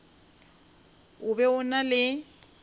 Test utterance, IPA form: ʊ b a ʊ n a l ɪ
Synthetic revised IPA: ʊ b ɛ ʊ n a l ɪ